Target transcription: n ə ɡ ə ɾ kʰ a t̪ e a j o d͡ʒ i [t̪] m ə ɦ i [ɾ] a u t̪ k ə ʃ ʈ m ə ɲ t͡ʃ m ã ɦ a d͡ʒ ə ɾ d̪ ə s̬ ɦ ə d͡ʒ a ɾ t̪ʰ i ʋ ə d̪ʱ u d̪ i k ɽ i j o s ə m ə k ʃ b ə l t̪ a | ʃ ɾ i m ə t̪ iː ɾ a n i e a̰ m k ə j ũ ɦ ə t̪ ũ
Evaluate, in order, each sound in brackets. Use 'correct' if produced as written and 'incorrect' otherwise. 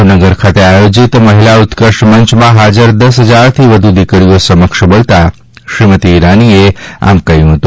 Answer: correct, incorrect: l

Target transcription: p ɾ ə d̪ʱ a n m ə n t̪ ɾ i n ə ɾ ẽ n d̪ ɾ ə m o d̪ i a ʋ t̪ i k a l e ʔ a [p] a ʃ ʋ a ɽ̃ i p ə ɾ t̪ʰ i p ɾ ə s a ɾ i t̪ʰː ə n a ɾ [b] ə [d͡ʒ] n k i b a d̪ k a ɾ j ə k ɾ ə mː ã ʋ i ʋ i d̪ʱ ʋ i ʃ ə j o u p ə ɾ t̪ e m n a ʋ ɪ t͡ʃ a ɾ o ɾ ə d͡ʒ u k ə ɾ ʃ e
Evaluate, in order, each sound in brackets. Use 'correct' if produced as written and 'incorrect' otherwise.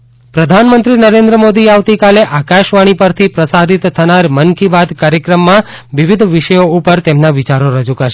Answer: incorrect: k, incorrect: m, incorrect: none

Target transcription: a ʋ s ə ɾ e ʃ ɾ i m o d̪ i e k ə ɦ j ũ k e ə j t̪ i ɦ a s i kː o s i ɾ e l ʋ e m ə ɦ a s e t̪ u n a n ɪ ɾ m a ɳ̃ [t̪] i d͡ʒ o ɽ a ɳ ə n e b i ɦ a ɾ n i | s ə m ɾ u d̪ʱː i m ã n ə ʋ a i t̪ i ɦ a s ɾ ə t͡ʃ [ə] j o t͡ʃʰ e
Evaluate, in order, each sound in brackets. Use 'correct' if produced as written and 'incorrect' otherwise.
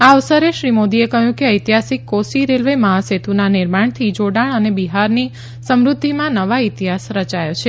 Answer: incorrect: t̪ʰ, incorrect: a

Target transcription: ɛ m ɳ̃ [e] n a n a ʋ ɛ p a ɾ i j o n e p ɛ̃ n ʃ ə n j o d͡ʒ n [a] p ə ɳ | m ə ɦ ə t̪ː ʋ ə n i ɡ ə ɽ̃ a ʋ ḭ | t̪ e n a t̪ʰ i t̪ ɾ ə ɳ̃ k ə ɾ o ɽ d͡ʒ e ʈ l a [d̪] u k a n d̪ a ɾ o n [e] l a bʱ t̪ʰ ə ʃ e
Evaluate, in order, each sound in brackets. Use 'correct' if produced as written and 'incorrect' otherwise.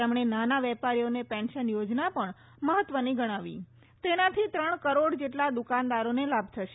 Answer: correct, correct, correct, correct

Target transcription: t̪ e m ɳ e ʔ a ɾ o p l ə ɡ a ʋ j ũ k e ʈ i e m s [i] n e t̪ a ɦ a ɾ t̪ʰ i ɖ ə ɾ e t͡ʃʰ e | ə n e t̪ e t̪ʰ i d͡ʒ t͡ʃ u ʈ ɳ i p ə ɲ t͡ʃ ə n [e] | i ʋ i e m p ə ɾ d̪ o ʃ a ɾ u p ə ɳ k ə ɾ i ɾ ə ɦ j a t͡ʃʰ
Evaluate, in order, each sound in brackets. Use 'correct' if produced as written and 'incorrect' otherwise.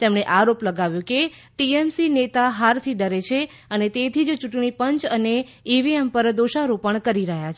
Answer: correct, correct

